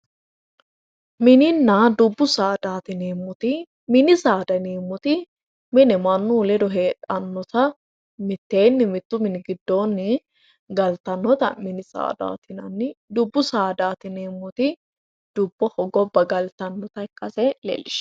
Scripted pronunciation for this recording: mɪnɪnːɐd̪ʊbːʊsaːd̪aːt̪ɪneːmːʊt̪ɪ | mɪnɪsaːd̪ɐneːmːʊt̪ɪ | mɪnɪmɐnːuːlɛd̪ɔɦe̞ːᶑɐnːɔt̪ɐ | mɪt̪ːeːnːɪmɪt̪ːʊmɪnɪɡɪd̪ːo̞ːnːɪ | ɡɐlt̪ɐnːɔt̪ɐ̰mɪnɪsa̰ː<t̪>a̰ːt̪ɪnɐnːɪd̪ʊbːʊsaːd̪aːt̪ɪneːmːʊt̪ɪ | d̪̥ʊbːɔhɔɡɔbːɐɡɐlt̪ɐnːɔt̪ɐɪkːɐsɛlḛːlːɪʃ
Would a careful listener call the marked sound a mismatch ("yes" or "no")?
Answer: yes